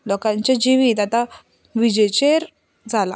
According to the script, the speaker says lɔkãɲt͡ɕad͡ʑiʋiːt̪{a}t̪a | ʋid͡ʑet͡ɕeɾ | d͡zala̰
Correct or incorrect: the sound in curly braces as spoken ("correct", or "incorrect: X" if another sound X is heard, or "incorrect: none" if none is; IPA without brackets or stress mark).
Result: correct